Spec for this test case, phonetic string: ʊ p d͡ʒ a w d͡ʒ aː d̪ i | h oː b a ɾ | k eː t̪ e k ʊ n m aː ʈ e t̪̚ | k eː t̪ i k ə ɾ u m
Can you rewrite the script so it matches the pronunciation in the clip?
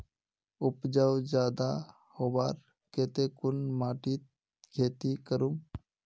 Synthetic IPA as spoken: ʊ p d͡ʒ a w d͡ʒ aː d̪ a | h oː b a ɾ | k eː t̪ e k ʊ n m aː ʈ i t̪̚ | kʰ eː t̪ i k ə ɾ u m